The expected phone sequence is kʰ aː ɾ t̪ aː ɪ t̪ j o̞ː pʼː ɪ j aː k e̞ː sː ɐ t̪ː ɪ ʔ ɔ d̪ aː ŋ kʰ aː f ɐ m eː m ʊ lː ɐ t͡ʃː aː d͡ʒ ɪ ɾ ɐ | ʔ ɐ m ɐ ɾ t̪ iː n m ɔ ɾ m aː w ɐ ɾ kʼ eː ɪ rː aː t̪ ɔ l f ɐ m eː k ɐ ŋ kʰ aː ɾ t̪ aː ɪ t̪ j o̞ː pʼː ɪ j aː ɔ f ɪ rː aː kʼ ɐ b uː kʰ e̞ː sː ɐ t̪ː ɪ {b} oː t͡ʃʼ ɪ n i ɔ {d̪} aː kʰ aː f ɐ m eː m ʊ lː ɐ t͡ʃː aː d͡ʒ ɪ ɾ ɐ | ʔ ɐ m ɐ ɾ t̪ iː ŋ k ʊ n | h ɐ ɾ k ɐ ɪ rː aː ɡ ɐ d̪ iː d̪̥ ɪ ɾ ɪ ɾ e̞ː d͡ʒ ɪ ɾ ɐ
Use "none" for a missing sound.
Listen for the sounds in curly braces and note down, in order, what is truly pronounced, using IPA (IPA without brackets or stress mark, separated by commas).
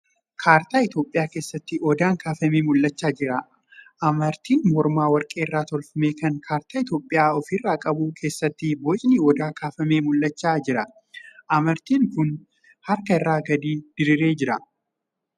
b, d̪